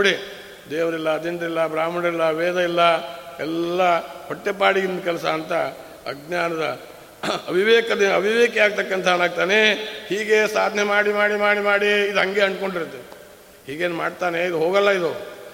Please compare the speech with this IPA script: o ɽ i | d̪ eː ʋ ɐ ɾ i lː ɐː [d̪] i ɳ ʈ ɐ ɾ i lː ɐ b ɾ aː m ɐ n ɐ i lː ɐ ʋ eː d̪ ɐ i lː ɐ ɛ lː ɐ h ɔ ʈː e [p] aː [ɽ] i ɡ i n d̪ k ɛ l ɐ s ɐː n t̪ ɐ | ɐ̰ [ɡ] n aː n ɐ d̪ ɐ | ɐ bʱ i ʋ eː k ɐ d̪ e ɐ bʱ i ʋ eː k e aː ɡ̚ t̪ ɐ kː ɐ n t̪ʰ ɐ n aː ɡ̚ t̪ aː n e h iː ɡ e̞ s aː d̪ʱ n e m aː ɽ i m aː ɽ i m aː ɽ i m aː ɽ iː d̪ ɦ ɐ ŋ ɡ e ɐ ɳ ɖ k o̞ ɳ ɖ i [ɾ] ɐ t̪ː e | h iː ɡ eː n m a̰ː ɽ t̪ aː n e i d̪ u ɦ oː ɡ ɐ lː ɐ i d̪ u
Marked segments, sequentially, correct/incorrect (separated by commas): correct, correct, correct, correct, correct